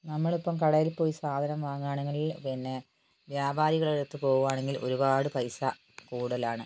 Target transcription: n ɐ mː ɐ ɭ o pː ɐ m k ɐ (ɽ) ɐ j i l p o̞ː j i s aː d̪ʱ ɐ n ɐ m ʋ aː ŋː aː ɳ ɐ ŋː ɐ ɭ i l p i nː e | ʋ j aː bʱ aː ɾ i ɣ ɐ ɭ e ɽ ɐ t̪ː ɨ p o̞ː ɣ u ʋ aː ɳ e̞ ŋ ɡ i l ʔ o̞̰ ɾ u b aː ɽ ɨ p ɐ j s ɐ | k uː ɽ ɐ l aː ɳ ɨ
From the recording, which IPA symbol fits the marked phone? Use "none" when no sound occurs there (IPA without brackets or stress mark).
ɽ